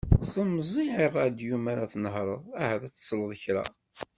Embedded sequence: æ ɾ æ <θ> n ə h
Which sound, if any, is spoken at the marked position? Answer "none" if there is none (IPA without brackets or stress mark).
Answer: θ